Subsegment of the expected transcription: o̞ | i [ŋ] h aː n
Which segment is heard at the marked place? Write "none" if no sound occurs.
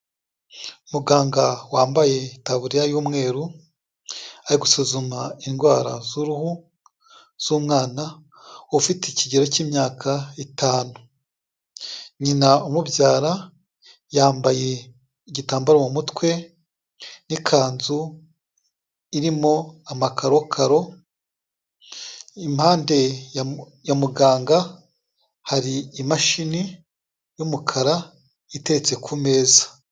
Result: m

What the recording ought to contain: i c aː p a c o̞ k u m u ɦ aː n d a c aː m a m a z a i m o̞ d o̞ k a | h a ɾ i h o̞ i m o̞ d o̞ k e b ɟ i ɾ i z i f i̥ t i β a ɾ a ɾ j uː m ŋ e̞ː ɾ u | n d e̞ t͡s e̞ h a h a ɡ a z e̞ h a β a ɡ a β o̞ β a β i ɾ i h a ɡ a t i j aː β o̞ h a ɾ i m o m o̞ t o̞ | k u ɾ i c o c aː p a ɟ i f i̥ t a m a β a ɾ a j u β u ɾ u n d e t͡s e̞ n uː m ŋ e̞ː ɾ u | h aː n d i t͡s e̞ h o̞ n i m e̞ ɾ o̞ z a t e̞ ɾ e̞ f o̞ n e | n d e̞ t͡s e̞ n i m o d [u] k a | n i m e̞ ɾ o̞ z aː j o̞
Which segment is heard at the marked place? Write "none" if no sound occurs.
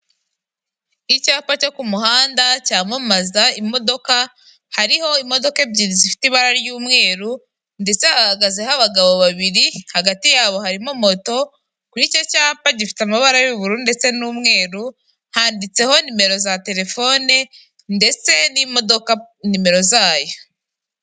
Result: o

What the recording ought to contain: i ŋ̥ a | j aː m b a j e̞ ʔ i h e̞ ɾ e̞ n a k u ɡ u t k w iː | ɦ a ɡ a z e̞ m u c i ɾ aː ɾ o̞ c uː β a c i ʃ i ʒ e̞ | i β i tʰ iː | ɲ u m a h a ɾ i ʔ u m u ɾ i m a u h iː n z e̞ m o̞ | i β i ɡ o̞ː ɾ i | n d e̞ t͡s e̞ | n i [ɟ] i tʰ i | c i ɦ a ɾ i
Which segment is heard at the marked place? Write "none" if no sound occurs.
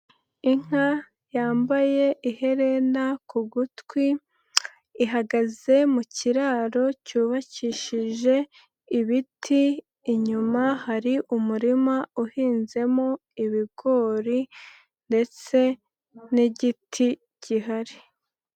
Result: ɟ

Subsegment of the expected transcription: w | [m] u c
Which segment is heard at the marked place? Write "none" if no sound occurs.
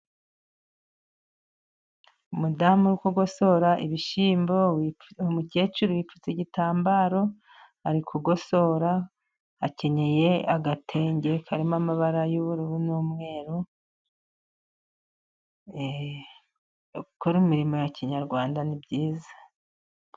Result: m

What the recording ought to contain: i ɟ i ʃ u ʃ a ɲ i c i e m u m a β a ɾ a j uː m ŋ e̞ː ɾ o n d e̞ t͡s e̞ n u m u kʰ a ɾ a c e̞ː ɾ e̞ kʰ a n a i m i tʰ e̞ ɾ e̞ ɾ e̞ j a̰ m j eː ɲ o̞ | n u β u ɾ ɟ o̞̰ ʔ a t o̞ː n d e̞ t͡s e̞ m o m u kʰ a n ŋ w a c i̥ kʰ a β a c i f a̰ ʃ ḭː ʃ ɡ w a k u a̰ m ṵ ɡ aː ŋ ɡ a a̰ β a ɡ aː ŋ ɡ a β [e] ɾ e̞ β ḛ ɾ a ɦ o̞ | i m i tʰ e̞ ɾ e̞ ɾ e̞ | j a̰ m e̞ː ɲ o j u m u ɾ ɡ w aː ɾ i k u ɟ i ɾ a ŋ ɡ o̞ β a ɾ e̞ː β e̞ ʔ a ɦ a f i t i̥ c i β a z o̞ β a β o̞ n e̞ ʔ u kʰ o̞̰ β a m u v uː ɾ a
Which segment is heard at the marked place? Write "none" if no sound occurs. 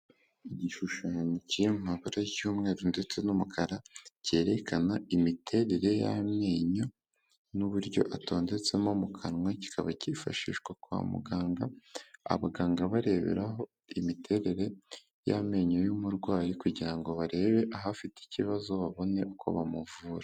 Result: a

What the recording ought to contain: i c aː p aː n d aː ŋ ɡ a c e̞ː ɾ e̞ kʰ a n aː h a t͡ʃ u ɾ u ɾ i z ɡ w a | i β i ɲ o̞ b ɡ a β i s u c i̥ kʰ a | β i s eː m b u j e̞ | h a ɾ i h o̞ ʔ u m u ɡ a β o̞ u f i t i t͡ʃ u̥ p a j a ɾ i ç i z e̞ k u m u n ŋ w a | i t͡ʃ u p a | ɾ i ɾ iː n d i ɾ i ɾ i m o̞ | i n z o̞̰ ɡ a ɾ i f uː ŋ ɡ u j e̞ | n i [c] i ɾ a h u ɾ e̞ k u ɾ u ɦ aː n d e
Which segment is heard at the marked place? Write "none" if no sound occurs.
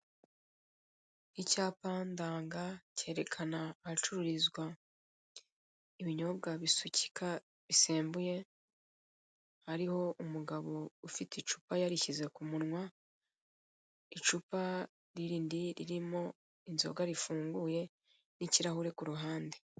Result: c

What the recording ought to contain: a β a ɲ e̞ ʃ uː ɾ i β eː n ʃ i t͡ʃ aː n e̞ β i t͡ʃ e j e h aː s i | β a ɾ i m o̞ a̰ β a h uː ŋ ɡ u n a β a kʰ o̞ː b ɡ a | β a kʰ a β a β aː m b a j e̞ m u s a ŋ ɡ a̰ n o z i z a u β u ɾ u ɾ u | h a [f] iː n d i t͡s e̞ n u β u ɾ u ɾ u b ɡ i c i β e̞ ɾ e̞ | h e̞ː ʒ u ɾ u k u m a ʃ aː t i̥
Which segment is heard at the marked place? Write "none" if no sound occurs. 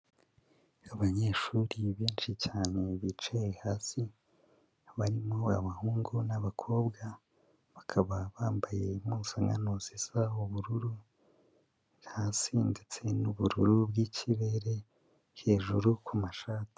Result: s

